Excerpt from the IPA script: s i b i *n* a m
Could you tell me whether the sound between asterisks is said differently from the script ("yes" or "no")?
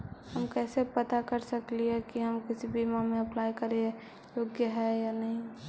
yes